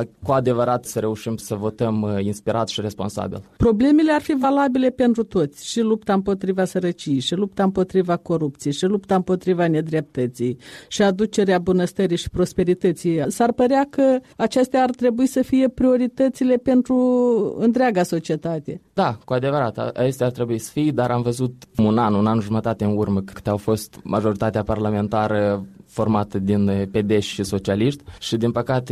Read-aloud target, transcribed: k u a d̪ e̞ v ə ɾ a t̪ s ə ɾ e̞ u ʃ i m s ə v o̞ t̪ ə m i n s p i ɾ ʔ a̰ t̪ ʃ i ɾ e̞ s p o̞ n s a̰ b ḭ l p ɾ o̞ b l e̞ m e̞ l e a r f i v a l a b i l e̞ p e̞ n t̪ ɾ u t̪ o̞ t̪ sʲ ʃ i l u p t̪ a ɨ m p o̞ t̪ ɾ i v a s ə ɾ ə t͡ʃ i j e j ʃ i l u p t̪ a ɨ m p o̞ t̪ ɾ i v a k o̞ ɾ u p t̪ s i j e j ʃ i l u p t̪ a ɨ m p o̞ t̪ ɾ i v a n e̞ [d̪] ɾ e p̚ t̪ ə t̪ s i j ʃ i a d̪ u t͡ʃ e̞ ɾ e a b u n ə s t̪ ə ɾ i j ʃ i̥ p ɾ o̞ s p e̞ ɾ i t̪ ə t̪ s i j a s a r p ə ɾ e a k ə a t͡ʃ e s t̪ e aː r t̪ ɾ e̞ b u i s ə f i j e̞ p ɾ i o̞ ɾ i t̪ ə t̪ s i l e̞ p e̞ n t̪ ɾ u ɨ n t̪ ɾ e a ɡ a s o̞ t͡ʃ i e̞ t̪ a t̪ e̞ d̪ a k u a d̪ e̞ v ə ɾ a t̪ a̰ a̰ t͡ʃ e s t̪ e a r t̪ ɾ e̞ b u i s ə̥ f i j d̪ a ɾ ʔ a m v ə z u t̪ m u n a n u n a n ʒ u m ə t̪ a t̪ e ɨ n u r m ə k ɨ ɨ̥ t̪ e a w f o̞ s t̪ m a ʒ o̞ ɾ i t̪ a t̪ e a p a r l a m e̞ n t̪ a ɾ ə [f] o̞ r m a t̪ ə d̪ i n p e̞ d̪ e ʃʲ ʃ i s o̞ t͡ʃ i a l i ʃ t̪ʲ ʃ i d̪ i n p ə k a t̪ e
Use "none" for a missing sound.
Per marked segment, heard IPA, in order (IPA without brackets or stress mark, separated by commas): d̪, f